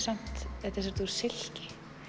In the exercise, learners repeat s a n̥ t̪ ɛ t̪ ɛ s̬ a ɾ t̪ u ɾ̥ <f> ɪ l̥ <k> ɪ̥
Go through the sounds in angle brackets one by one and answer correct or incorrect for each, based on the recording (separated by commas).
incorrect, incorrect